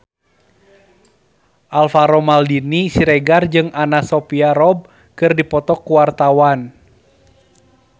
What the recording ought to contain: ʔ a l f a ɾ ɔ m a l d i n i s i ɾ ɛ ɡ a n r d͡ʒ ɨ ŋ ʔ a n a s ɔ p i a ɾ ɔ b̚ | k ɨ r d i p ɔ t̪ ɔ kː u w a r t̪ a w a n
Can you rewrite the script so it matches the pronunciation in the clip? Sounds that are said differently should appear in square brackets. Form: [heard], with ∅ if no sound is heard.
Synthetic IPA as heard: ʔ a l f a ɾ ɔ m a l d i n i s i ɾ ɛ ɡ a [∅] r d͡ʒ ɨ ŋ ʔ a n a s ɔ p i a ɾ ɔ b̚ | k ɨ r d i p ɔ t̪ ɔ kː u w a r t̪ a w a n